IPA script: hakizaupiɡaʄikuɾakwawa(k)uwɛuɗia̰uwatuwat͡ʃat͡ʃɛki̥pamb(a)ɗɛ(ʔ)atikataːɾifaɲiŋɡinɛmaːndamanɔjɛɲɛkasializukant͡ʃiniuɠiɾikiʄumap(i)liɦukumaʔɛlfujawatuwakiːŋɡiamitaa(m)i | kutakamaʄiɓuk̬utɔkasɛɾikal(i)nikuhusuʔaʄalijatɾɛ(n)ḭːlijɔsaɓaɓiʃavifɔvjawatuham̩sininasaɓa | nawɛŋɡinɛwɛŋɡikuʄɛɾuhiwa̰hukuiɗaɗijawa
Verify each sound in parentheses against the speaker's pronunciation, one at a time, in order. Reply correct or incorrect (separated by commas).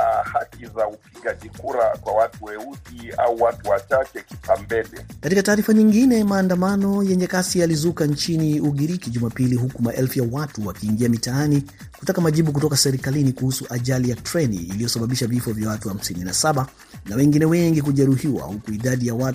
incorrect, incorrect, incorrect, correct, incorrect, correct, correct